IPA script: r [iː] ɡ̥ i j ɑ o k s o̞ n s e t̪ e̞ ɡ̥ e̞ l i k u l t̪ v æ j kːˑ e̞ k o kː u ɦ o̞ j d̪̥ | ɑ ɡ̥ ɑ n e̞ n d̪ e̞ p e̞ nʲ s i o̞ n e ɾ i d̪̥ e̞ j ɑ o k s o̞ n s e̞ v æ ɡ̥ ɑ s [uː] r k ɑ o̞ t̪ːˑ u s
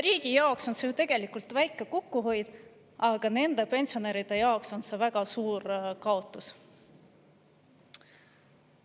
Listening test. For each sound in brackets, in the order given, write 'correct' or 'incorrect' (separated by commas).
correct, correct